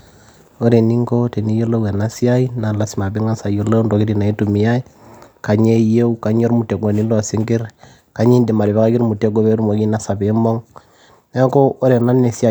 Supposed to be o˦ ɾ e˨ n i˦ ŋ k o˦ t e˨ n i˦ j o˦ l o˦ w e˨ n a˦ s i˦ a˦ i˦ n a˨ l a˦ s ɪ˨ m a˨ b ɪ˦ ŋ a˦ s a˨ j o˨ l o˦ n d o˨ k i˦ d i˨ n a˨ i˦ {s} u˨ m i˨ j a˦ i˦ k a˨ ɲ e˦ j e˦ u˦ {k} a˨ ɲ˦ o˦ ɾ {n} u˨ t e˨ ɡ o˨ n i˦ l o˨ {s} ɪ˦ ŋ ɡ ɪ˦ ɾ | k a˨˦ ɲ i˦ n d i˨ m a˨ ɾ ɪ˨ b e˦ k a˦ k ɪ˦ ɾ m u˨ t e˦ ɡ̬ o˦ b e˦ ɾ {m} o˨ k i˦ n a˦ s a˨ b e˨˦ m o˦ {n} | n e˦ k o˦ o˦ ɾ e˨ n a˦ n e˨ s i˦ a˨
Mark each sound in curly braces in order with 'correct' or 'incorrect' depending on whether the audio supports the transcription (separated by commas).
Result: incorrect, correct, incorrect, correct, correct, incorrect